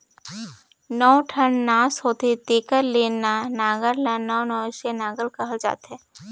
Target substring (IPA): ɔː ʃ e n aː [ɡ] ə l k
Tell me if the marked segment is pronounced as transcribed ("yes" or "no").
yes